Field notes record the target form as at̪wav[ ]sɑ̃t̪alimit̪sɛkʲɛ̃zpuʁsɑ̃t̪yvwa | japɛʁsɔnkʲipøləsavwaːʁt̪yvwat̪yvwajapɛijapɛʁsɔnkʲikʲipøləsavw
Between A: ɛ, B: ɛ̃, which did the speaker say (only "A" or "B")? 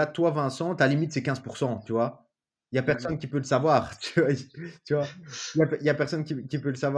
B